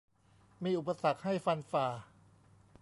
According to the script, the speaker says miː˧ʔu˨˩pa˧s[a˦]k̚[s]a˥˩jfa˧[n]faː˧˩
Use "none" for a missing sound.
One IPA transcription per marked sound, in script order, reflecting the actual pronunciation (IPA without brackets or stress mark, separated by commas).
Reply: a˨˩, h, n